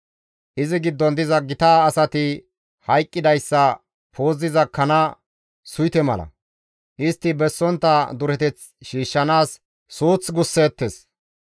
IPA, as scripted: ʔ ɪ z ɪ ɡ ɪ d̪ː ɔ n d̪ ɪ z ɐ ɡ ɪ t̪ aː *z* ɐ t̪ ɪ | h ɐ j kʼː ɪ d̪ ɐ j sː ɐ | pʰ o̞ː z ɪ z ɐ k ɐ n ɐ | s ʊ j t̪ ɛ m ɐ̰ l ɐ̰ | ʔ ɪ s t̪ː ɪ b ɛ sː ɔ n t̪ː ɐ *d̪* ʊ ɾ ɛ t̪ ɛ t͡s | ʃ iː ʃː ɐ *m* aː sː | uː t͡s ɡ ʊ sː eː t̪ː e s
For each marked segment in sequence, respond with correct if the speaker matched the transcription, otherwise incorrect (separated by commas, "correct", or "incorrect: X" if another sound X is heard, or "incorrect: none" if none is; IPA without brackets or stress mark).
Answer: incorrect: s, correct, incorrect: n